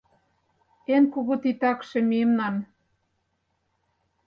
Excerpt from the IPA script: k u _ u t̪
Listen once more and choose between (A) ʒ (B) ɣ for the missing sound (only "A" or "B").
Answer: B